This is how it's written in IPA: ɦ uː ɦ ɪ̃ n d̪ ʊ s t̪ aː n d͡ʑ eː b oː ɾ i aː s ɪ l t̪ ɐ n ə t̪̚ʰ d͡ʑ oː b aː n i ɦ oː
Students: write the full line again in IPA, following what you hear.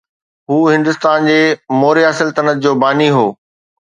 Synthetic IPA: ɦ uː ɦ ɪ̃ n d̪ ʊ s t̪ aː n d͡ʑ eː m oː ɾ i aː s ɪ l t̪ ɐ n ə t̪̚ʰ d͡ʑ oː b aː n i ɦ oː